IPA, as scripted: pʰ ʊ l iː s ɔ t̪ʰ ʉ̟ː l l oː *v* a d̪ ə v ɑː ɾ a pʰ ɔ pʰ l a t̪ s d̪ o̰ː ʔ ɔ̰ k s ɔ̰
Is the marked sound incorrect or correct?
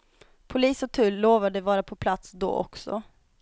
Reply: correct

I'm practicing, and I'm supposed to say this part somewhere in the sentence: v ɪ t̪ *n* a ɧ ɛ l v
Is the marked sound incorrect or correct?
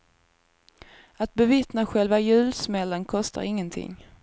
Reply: correct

